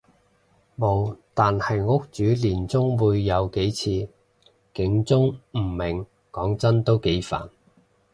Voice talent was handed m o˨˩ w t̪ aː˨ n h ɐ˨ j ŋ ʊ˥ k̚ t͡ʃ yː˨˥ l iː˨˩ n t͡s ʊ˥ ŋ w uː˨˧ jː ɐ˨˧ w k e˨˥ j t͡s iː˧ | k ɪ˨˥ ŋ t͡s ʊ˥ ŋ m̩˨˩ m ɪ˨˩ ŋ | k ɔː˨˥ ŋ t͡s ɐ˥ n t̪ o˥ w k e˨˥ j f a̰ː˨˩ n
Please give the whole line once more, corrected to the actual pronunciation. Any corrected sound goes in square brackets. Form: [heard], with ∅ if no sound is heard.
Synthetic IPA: m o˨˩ w t̪ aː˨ n h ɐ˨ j ŋ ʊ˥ k̚ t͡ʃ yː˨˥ l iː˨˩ n t͡s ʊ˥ ŋ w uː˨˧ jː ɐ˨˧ w k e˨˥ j [t͡sʰ] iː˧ | k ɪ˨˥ ŋ t͡s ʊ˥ ŋ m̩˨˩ m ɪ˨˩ ŋ | k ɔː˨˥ ŋ t͡s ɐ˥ n t̪ o˥ w k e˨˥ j f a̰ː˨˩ n